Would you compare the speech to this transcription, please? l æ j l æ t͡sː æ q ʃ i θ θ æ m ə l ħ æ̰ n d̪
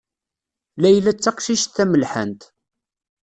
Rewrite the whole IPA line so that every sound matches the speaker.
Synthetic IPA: l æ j l æ t͡sː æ q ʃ i ʃ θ æ m ə l ħ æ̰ n t̪

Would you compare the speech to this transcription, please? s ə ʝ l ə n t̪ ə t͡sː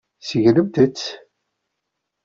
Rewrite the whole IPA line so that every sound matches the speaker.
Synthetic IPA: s ə ʝ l ə m t̪ ə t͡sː

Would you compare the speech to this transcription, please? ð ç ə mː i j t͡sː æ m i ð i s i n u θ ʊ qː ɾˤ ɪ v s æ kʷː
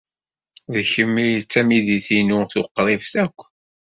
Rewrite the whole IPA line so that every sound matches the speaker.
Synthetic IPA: ð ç ə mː i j t͡sː æ m i ð i θ i n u θ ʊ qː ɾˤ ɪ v θ æ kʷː

